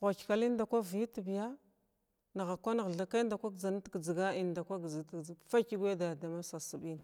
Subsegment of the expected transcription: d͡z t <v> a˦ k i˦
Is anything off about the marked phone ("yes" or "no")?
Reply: yes